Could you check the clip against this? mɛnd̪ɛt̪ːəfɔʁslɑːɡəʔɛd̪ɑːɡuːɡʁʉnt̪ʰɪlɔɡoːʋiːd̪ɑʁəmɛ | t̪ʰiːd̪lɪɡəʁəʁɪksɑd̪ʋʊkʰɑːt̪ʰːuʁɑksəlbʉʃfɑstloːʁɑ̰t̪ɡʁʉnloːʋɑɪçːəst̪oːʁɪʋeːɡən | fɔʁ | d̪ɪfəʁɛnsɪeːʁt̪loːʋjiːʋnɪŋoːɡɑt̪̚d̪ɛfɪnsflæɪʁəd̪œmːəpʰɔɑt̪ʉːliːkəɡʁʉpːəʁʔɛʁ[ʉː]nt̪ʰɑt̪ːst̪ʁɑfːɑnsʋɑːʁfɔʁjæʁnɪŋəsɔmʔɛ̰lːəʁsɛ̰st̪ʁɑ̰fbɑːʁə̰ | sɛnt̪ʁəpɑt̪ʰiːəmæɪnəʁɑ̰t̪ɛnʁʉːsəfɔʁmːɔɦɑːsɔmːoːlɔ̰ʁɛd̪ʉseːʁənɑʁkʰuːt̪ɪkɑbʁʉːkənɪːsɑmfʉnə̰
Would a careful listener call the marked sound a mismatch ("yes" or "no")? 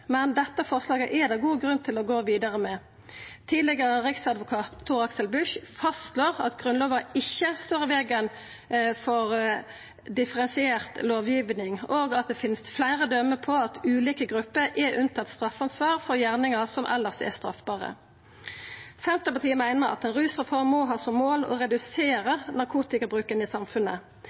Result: yes